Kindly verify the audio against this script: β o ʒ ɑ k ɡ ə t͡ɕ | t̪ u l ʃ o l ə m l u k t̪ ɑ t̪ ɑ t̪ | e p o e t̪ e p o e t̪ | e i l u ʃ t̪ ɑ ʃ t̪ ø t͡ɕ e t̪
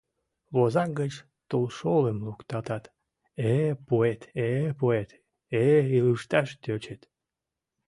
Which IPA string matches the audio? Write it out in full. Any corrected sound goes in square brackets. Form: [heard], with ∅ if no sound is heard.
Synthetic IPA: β o [z] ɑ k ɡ ə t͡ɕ | t̪ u l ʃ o l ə m l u k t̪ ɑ t̪ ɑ t̪ | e p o e t̪ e p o e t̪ | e i l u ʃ t̪ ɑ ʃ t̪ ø t͡ɕ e t̪